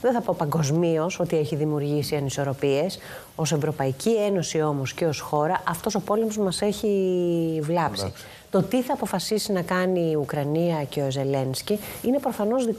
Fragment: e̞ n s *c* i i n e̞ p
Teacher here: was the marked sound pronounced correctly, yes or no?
yes